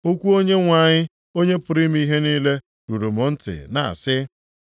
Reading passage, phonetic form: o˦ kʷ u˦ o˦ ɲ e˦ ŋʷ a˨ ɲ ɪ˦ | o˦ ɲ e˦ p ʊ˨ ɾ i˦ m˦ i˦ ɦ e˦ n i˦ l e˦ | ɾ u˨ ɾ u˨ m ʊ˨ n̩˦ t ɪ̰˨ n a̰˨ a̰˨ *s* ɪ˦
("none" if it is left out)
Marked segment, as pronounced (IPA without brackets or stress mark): s